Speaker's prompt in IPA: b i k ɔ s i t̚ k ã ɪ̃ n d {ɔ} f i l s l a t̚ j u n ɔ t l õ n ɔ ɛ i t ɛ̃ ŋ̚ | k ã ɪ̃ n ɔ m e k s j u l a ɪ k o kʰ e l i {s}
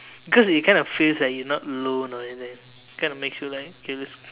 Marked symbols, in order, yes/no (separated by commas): yes, yes